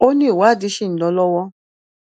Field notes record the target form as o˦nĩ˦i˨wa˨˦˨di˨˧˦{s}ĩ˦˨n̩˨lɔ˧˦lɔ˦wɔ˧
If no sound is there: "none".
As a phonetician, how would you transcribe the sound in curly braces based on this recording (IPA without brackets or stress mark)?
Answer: ʃ